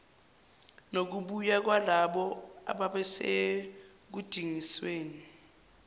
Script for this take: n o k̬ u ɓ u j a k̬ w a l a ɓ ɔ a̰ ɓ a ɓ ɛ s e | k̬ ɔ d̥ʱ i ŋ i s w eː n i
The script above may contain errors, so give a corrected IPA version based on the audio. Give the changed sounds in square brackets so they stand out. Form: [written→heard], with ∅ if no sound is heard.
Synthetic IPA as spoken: n o k̬ u ɓ u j a k̬ w a l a ɓ ɔ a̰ ɓ a ɓ ɛ s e | k̬ [ɔ→u] d̥ʱ i ŋ i s w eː n i